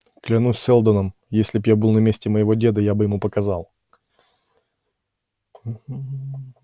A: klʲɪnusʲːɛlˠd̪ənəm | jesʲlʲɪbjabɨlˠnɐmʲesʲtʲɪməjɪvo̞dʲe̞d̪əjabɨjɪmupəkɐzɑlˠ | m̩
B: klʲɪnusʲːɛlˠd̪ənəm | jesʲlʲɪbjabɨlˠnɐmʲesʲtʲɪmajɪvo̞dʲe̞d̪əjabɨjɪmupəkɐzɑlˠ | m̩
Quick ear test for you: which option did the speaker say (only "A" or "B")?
A